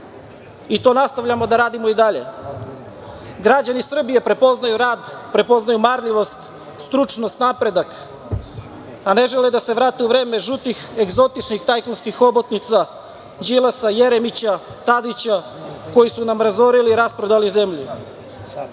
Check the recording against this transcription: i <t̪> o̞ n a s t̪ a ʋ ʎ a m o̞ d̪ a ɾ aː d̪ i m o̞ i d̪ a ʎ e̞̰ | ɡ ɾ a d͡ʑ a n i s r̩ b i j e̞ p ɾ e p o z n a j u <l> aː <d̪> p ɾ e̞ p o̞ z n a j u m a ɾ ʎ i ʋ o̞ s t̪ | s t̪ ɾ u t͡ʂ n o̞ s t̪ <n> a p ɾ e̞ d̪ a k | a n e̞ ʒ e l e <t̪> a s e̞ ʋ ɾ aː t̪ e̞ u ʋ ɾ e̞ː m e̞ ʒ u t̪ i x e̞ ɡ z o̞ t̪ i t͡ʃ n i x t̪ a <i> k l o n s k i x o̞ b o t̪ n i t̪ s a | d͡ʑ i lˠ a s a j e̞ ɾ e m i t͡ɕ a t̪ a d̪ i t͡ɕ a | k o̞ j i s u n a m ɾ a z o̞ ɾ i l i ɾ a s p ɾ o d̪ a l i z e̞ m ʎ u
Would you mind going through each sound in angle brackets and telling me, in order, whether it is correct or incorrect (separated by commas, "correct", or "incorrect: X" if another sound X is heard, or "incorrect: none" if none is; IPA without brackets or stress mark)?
correct, incorrect: ɾ, correct, correct, incorrect: d̪, incorrect: j